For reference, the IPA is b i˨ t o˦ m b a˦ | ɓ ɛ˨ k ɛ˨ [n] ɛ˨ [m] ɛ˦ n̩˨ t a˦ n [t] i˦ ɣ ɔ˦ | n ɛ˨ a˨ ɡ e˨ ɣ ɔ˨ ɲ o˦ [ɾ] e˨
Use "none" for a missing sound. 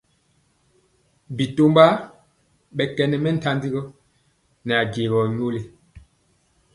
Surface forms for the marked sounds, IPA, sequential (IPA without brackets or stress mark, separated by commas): n, m, d, l